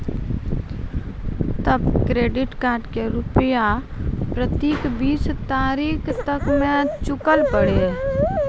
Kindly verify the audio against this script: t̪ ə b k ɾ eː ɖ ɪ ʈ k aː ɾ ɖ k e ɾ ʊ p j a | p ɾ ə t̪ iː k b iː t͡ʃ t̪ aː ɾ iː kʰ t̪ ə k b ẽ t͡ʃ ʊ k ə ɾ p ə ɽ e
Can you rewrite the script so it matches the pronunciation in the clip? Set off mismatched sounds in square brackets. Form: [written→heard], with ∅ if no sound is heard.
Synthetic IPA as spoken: t̪ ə b k ɾ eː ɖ ɪ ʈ k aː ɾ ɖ k e ɾ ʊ p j a | p ɾ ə t̪ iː k b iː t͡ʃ t̪ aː ɾ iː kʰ t̪ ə k [b→m] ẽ t͡ʃ ʊ k ə [ɾ→l] p ə ɽ e